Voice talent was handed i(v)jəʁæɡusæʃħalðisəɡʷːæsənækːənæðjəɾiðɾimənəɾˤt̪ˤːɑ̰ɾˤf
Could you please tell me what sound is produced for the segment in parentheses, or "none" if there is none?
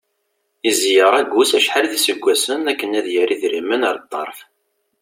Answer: z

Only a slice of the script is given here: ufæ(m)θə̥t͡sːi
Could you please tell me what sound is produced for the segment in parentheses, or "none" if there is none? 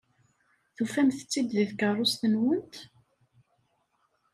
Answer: m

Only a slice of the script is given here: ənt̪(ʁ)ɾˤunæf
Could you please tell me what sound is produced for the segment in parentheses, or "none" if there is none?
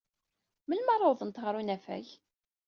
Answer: ʁ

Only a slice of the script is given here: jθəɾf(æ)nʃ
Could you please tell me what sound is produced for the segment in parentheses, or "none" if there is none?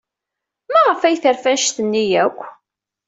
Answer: æ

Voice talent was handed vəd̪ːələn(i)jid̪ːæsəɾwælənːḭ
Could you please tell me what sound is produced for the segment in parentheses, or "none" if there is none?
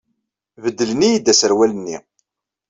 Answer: i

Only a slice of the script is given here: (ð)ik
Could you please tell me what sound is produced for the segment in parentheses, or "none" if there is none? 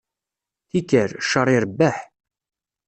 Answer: θ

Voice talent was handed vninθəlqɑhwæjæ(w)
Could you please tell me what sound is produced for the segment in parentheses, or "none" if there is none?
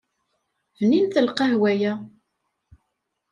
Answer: none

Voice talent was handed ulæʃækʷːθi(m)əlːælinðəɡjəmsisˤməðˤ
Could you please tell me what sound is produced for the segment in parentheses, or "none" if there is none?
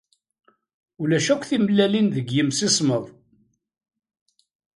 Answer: m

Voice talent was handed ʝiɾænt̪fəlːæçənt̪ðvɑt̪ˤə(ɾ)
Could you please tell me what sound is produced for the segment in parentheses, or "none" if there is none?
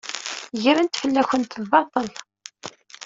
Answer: l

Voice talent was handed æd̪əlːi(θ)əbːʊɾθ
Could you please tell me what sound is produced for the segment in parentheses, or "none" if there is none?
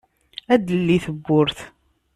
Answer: θ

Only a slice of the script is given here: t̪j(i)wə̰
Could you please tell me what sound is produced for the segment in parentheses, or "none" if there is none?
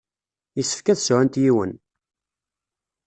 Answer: i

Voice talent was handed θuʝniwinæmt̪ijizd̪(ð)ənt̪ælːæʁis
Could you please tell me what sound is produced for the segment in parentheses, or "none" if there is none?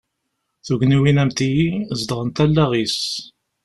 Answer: ʁ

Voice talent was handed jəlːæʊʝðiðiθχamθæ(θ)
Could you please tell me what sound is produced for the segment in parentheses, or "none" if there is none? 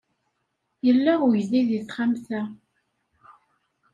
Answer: none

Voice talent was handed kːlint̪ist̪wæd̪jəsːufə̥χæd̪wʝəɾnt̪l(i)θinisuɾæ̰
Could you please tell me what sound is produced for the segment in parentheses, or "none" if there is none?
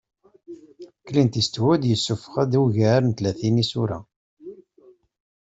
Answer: æ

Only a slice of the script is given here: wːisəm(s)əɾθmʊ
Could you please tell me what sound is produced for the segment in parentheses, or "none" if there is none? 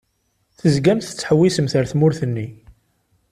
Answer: θ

